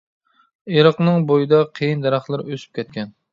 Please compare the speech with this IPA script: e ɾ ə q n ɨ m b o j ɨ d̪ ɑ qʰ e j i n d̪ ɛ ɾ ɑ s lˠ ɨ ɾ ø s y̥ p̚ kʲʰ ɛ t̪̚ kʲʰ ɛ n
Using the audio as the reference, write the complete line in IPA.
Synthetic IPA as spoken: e ɾ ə q n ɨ ŋ b o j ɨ d̪ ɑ qʰ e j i n d̪ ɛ ɾ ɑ χ lˠ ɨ ɾ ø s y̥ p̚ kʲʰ ɛ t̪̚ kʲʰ ɛ n